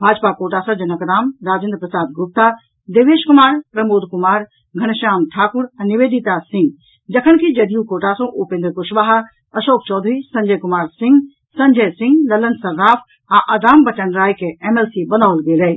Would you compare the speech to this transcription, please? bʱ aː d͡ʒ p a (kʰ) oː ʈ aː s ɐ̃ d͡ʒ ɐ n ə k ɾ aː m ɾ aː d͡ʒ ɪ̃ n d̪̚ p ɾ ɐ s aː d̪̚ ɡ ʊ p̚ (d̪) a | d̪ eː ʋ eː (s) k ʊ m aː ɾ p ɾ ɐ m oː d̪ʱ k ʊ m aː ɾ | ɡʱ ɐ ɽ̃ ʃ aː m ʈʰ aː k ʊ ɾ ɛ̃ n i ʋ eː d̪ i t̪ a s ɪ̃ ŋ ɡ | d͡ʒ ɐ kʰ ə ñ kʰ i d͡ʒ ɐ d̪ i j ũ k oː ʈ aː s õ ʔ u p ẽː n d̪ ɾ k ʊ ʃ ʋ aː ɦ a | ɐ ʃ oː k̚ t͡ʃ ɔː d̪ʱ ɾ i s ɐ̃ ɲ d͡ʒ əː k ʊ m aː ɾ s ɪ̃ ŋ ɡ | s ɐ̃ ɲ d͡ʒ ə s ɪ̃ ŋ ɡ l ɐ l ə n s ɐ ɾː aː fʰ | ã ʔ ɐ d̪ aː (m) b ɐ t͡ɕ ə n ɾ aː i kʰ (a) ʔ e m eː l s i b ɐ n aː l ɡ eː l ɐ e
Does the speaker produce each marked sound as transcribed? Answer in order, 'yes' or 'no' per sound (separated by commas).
no, no, no, yes, no